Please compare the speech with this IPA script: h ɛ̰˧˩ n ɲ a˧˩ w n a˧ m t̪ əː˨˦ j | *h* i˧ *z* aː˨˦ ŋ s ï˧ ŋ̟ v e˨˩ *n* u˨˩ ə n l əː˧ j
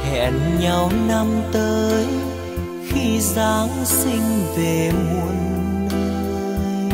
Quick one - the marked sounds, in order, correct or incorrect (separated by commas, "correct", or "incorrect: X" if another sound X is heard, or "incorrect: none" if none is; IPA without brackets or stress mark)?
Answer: incorrect: x, correct, incorrect: m